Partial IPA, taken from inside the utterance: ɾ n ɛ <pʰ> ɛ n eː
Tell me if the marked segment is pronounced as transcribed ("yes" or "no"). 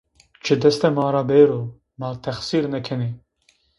no